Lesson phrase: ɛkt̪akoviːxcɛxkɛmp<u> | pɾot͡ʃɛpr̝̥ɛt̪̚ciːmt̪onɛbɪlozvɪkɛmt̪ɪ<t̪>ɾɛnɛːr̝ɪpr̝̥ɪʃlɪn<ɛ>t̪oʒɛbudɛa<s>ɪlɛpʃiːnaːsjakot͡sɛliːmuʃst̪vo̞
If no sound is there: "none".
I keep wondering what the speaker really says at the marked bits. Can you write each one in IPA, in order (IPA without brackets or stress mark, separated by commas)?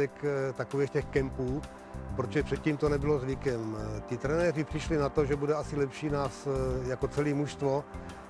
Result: uː, t̪, a, s